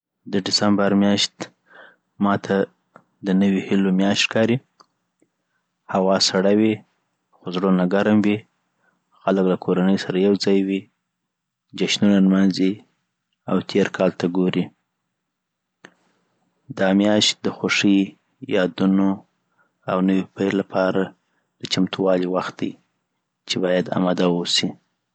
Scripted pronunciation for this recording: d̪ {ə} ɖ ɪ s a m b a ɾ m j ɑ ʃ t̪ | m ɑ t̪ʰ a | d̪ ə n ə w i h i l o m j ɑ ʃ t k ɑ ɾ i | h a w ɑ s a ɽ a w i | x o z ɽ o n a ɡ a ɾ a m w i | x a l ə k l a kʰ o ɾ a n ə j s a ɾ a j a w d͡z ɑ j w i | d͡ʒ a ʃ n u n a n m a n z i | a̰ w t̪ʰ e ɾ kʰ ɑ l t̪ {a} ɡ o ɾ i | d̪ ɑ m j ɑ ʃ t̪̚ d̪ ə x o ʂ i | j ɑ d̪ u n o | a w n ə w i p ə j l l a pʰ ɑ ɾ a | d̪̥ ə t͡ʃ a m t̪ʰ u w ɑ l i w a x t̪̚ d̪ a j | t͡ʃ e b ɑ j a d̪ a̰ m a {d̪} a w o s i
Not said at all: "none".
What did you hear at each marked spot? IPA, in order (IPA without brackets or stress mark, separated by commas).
ə, a, d̪